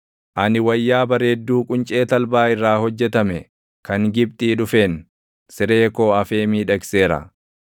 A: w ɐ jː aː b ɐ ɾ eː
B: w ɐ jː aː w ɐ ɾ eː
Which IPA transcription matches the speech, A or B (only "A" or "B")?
A